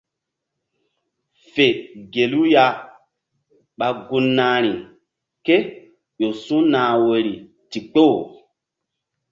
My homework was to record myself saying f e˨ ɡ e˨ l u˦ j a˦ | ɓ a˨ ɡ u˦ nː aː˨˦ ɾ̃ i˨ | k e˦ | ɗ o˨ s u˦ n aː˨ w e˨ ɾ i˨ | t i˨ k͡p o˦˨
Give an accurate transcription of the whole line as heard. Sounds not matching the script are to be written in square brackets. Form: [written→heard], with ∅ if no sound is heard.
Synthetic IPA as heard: f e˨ ɡ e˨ l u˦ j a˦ | ɓ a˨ ɡ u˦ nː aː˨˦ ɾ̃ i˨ | k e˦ | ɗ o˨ s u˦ n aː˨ w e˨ ɾ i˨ | t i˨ k͡p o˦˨